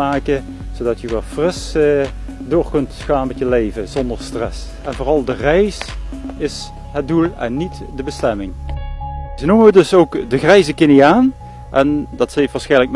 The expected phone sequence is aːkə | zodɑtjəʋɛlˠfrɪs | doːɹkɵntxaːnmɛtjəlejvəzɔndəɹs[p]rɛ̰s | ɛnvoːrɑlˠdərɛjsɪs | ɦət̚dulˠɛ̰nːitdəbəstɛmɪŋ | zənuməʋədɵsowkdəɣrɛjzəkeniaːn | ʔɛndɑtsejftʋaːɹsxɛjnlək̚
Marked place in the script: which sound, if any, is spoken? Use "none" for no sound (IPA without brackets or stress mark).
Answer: t